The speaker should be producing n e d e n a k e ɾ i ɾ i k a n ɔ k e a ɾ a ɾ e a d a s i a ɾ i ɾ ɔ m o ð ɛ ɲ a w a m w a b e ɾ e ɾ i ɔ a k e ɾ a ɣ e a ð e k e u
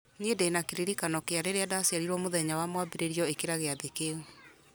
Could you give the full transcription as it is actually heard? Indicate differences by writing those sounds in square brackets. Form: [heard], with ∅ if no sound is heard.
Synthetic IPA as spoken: n e d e n a k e ɾ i ɾ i k a n ɔ k e a ɾ [e] ɾ e a d a s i a ɾ i ɾ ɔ m o ð ɛ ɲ a w a m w a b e ɾ e ɾ i ɔ [e] k e ɾ a ɣ e a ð e k e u